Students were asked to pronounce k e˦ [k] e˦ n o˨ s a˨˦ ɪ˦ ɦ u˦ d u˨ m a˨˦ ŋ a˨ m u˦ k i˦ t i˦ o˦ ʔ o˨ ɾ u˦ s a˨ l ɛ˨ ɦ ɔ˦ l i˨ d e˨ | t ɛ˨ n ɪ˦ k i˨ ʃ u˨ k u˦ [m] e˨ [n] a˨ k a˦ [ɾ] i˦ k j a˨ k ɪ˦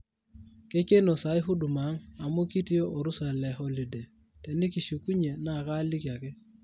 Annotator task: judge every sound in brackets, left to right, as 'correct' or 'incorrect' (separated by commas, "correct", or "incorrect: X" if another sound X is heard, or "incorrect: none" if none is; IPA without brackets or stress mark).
correct, incorrect: ɲ, correct, incorrect: l